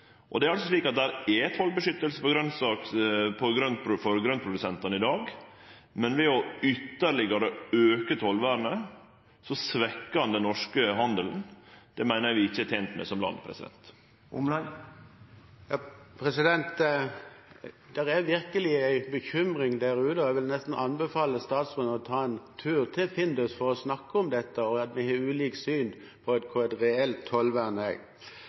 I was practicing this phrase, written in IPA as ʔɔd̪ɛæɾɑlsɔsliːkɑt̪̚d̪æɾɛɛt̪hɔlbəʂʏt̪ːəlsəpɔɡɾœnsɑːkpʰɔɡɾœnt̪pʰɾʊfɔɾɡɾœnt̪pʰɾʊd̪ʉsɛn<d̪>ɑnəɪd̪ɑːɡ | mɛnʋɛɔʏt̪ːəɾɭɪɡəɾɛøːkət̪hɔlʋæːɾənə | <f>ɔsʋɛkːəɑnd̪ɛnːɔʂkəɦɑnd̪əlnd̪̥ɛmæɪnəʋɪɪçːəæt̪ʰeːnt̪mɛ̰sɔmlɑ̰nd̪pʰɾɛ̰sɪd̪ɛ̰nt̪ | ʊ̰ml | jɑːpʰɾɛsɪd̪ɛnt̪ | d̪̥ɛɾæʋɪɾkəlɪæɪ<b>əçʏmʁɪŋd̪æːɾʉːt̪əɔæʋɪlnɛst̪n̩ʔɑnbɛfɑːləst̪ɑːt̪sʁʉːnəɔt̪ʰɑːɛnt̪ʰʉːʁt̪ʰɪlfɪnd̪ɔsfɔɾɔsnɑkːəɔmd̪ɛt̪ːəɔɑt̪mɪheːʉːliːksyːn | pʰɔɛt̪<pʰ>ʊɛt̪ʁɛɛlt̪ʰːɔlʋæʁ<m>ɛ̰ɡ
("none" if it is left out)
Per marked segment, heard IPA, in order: t̪, s, b, kʰ, n

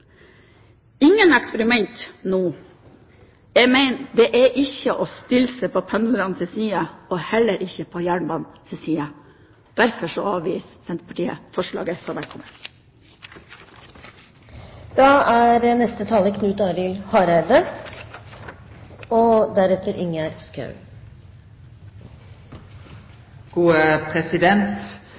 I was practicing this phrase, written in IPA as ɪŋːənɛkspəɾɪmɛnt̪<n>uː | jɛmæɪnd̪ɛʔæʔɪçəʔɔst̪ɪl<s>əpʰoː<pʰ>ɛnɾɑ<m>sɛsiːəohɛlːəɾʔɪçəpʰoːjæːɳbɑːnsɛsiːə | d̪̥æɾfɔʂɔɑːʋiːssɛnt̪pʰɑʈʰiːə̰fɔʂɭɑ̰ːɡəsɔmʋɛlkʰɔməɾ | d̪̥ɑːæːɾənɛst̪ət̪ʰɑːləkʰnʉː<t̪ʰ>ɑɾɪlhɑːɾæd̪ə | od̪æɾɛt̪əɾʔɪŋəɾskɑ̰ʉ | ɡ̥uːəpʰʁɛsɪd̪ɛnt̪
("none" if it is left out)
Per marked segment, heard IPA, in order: n, s, pʰ, n, t̪

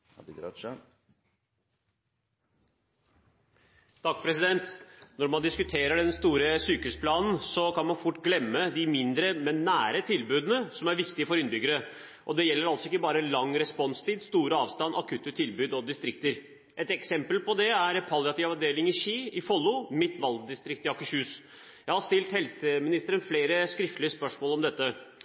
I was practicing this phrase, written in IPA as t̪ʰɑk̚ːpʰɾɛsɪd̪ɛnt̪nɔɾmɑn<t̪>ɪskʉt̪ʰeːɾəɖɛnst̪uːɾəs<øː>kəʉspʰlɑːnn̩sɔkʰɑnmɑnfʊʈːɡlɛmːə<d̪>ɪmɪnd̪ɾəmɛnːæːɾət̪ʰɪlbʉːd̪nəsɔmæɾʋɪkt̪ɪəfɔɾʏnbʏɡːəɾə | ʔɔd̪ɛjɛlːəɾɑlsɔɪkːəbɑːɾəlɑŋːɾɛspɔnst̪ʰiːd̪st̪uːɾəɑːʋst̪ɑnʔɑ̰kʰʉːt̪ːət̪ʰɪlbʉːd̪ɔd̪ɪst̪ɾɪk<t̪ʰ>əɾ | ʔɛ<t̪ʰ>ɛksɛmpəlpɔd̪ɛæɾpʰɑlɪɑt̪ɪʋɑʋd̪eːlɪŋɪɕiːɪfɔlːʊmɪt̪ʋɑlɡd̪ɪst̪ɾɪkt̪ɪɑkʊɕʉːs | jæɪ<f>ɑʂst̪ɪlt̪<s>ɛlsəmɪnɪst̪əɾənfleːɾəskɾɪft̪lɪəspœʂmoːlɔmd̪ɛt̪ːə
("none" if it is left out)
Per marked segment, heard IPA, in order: d̪, yː, d̪, t̪, t̪, h, h

